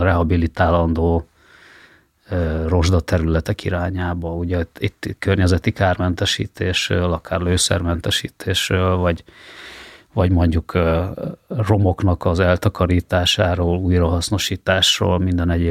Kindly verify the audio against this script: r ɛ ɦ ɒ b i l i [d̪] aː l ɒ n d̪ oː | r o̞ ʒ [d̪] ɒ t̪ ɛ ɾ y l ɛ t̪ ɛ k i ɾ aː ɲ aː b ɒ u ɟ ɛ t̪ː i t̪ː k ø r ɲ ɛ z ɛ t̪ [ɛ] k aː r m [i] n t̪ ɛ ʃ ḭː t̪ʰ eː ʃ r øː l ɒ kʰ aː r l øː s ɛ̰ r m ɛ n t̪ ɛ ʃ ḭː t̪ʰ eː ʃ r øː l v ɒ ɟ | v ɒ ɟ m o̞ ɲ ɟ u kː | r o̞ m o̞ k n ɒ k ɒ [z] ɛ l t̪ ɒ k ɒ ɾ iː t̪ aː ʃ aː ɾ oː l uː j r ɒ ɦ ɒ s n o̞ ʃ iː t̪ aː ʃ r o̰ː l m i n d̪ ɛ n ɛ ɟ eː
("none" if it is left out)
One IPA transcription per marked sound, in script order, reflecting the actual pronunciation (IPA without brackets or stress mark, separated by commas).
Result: t̪, d̪, i, ɛ, z